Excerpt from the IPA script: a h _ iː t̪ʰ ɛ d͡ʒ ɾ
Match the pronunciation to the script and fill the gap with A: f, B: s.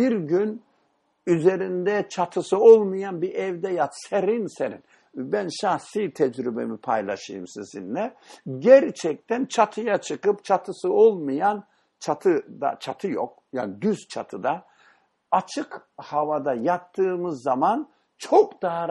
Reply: B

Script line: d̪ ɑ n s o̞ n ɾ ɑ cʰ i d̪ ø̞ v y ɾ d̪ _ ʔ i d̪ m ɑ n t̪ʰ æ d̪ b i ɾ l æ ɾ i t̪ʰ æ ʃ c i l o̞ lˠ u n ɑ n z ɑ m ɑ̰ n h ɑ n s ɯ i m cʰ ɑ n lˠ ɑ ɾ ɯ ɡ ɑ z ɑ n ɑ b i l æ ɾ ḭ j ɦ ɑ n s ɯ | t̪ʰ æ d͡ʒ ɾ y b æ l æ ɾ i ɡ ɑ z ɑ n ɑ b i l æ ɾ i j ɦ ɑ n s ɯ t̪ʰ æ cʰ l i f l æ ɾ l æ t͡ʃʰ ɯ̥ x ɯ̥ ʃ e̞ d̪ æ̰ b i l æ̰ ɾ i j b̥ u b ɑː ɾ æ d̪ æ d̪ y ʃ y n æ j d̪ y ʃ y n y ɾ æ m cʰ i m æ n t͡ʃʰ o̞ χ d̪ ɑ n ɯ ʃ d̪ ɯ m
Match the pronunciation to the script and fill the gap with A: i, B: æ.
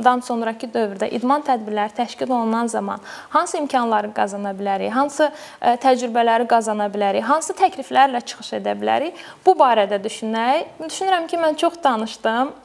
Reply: B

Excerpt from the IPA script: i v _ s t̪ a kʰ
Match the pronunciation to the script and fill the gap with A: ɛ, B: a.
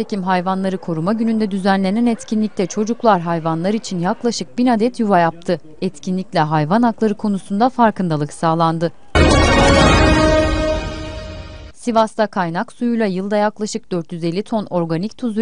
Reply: B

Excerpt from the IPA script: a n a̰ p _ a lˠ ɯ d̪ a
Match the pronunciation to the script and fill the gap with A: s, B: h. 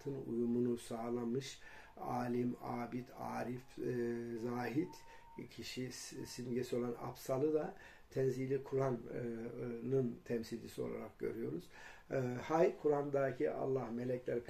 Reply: A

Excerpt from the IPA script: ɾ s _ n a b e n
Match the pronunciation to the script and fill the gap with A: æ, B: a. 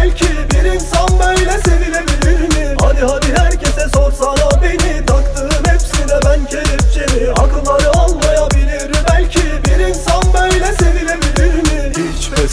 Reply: B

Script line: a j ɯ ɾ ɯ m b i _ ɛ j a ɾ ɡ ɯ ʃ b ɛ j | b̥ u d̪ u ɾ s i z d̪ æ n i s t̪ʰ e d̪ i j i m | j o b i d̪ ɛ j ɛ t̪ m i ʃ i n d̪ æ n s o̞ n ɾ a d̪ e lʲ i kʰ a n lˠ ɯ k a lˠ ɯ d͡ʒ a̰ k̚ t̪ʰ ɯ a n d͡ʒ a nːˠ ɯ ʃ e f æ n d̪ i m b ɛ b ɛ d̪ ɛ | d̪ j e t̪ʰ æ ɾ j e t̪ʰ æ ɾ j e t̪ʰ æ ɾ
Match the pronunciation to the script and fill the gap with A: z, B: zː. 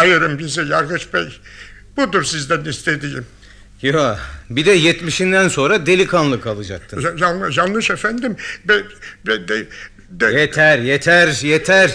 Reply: A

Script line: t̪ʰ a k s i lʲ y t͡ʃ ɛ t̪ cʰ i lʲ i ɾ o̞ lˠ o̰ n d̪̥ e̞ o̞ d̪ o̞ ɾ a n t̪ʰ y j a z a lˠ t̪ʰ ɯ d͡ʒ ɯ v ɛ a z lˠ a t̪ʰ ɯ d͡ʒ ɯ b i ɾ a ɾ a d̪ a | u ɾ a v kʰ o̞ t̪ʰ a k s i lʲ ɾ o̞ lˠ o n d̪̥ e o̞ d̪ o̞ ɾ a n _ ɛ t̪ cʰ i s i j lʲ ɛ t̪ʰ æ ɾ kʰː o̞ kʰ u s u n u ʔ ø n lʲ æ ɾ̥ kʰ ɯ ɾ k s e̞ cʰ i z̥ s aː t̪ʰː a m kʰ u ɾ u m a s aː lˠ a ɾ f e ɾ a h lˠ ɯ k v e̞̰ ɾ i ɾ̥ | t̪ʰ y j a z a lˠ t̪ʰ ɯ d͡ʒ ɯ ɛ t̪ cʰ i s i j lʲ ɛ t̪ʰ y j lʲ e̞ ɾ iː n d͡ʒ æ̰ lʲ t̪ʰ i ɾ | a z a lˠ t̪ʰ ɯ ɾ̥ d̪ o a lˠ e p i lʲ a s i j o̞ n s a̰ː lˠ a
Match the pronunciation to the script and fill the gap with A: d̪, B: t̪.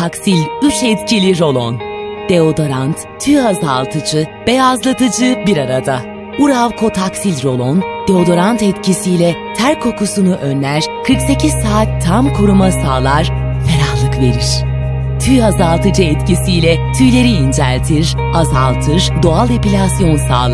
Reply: B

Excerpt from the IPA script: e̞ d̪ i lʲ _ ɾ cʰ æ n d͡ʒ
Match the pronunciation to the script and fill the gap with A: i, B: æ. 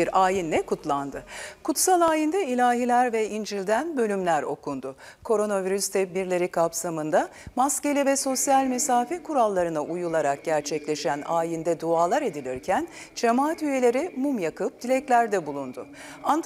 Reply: A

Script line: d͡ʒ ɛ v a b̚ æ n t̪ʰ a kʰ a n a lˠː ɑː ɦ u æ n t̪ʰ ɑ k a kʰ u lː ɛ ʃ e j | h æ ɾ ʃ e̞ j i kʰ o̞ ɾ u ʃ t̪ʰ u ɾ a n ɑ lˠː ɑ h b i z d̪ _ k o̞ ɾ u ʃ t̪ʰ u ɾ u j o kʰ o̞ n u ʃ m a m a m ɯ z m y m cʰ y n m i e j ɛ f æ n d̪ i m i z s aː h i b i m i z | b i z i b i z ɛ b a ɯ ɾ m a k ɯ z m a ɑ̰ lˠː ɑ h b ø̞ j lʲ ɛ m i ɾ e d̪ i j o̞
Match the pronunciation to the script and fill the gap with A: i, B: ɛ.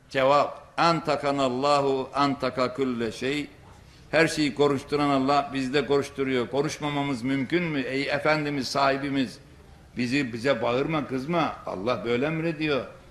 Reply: B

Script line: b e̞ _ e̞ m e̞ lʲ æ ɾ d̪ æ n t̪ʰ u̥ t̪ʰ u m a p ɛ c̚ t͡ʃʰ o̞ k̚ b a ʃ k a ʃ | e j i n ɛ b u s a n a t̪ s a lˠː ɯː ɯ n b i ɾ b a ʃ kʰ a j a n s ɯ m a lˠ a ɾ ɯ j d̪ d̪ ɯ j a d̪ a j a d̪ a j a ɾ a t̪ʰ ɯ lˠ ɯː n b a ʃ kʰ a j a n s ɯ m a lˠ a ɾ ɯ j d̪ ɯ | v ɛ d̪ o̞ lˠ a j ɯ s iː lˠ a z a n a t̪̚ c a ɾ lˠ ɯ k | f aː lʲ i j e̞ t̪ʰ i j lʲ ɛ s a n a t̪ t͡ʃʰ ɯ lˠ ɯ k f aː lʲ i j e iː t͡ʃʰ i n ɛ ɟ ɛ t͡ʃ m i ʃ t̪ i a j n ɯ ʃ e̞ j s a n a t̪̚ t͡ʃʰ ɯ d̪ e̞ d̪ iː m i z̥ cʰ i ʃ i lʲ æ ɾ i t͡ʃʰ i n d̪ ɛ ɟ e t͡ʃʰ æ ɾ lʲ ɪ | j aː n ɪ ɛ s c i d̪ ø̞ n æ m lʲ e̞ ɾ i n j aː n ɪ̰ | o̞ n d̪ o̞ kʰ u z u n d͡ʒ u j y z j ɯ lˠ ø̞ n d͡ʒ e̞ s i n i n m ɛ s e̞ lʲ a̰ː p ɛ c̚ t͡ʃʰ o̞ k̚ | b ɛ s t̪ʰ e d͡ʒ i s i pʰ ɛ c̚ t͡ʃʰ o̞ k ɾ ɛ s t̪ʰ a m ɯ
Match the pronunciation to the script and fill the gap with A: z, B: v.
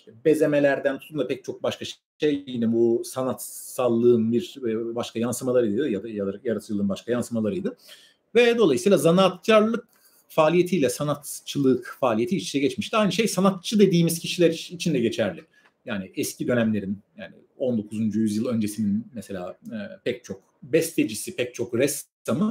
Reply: A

